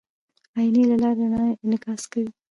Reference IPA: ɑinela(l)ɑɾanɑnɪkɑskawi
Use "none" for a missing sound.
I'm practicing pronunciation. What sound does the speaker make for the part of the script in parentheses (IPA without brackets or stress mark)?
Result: l